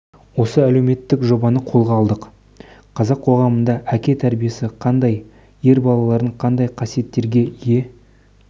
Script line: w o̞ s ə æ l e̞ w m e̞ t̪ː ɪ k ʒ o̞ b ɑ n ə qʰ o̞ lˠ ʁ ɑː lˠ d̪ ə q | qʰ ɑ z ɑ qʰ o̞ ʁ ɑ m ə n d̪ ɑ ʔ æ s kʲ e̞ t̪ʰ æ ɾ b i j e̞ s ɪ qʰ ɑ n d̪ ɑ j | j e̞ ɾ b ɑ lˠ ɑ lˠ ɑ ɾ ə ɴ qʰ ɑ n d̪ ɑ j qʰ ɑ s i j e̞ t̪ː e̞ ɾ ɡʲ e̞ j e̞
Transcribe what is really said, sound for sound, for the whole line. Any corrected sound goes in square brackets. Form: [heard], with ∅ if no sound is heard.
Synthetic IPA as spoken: w o̞ s ə æ l e̞ w m e̞ t̪ː ɪ k ʒ o̞ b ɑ n ə qʰ o̞ lˠ ʁ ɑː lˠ d̪ ə q | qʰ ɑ z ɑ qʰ o̞ ʁ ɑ m ə n d̪ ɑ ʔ æ [∅] kʲ e̞ t̪ʰ æ ɾ b i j e̞ s ɪ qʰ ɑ n d̪ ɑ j | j e̞ ɾ b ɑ lˠ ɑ lˠ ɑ ɾ ə ɴ qʰ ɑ n d̪ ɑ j qʰ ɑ s i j e̞ t̪ː e̞ ɾ ɡʲ e̞ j e̞